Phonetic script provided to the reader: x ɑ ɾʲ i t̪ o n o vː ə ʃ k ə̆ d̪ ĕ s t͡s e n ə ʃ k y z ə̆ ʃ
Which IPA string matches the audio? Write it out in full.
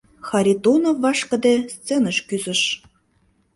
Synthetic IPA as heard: x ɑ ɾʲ i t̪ o n o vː ɑ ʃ k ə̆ d̪ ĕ s t͡s e n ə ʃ k y z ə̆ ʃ